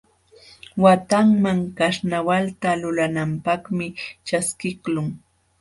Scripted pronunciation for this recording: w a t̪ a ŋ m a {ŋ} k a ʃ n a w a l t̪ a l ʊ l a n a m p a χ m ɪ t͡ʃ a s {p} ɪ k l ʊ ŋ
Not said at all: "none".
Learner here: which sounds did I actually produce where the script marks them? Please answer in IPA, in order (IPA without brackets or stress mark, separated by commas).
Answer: ŋ, k